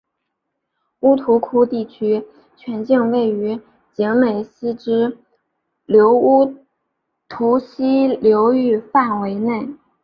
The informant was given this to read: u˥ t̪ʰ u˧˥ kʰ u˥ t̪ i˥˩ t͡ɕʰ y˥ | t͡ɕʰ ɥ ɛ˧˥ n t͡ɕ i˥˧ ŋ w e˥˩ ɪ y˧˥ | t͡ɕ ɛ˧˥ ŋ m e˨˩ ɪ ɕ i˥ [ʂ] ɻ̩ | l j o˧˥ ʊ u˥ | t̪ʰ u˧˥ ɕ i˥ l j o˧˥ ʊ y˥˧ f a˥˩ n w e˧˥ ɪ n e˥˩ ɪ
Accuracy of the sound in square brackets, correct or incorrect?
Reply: incorrect